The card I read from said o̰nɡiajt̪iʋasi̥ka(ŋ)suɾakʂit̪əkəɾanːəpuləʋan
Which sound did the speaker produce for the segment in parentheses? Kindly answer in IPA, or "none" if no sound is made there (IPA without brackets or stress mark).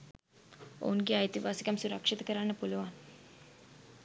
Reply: m